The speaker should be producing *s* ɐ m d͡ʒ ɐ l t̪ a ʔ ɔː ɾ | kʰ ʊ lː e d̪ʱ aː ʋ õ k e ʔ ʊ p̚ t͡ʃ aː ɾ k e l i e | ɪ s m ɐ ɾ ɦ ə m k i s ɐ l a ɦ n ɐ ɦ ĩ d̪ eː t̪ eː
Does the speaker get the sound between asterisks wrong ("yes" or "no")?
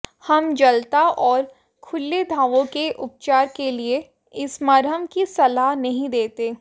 yes